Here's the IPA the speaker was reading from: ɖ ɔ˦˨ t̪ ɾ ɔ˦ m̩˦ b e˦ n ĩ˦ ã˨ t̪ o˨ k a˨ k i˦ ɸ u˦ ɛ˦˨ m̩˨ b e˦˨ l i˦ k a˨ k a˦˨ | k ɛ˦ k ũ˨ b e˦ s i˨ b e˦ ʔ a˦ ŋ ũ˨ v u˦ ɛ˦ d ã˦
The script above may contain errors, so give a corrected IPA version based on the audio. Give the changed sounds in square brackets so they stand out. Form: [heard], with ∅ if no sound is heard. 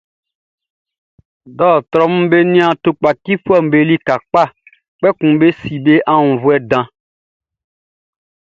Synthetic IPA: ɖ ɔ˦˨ t̪ ɾ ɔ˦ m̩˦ b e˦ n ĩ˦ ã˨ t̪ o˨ [k͡p] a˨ k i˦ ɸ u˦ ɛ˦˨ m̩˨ b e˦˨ l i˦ k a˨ [k͡p] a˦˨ | [k͡p] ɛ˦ k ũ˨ b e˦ s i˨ b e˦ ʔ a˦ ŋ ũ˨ v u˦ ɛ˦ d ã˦